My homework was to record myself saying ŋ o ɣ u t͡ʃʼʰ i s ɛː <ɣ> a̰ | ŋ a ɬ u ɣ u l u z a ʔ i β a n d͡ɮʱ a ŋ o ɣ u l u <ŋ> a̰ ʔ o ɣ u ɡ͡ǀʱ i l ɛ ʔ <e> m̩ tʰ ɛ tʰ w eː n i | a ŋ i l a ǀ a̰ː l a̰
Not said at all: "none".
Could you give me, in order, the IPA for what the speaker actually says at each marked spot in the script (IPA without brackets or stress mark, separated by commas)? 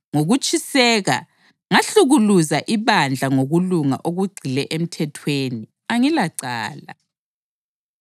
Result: ɣ, ŋ, e